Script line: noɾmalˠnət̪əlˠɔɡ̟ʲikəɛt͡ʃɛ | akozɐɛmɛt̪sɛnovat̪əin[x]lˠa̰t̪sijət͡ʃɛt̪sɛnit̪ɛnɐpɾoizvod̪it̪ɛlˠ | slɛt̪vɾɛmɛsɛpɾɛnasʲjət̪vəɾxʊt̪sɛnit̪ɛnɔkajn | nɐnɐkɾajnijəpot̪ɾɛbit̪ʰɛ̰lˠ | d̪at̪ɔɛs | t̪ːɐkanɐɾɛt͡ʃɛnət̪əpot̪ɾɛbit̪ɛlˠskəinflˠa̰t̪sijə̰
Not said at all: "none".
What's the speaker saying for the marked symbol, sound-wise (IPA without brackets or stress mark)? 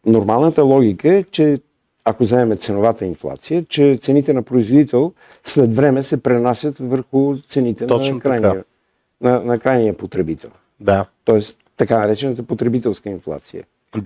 f